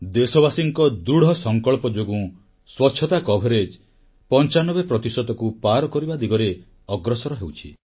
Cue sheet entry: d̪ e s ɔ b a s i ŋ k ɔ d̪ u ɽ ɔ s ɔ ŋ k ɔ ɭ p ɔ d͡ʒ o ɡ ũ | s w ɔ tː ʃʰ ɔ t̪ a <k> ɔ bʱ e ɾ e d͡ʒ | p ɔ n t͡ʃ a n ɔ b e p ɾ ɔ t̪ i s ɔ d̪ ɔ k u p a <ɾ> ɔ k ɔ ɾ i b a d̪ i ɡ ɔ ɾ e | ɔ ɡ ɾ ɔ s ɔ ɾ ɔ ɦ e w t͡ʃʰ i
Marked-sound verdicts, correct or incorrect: correct, correct

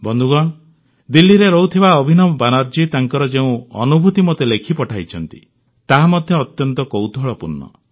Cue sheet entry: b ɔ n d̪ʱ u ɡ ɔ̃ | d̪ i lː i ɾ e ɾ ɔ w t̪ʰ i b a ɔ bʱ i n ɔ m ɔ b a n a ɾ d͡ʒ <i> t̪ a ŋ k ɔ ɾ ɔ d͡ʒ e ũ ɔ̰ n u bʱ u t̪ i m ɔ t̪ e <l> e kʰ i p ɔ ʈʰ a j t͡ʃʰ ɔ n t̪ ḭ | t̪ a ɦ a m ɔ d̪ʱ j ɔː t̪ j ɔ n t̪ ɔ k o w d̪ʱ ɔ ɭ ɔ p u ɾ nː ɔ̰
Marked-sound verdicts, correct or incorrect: correct, correct

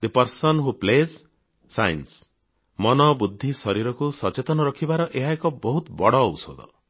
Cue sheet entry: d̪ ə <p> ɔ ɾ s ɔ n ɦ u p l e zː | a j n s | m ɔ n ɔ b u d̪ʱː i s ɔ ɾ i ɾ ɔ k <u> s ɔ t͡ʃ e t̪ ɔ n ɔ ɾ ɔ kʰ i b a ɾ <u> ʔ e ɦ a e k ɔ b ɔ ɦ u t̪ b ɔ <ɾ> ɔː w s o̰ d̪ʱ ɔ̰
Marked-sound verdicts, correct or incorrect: correct, correct, incorrect: ɔ, incorrect: ɽ

